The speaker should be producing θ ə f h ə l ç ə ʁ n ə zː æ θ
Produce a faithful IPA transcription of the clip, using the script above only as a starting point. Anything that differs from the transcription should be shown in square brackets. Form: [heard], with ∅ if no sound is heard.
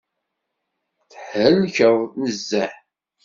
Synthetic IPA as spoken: θ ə [ħ] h ə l ç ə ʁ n ə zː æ [ħ]